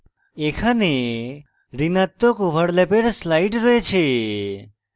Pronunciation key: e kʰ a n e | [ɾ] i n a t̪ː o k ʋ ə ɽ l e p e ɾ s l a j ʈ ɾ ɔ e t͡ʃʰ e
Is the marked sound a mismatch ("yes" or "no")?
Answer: no